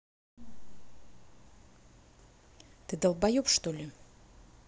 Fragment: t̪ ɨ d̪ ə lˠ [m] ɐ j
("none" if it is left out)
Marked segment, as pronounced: b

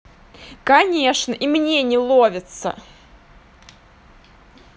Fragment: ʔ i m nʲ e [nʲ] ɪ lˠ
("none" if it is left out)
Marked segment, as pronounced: nʲ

